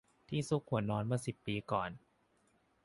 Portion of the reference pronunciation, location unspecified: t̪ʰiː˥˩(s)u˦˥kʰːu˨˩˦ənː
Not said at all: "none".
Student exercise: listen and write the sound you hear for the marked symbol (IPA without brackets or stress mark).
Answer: s